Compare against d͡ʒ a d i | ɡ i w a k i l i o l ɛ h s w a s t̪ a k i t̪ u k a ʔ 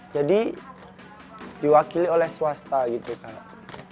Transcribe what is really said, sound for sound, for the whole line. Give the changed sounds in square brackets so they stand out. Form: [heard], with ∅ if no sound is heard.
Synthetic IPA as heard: d͡ʒ a d i | [d] i w a k i l i o l ɛ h s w a s t̪ a [ɡ] i t̪ u k a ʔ